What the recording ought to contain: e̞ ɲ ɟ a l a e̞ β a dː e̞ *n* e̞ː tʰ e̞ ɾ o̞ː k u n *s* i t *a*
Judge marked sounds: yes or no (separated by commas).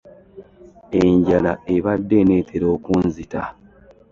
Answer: yes, no, yes